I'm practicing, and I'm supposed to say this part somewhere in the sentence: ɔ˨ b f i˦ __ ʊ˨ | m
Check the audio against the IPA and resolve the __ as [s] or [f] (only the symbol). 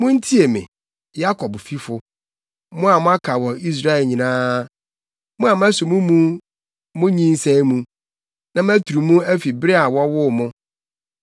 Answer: f